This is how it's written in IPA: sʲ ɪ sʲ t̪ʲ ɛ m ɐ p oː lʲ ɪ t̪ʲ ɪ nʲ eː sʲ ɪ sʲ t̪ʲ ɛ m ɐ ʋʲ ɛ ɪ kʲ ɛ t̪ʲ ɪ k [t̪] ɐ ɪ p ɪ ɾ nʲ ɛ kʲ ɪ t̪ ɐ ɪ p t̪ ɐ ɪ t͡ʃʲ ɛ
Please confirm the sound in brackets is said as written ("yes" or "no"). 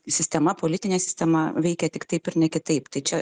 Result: yes